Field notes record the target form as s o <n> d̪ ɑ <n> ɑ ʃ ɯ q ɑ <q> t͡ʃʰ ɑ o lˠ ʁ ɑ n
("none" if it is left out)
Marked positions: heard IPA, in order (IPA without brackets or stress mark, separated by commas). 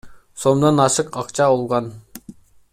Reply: m, n, q